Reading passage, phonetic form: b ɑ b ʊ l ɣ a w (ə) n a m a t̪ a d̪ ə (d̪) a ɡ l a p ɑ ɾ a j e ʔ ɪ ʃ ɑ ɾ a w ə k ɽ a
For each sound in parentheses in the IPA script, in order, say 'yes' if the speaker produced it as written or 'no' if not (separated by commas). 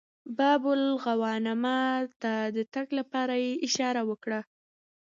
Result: no, no